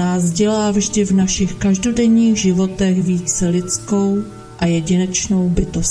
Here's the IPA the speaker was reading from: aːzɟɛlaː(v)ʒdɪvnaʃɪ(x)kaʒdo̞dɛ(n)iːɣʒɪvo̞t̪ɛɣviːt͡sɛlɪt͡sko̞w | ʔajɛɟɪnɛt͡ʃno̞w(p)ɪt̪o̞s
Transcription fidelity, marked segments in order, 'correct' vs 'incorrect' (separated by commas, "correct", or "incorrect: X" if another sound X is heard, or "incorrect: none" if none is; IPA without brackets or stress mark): correct, correct, incorrect: ɲ, incorrect: b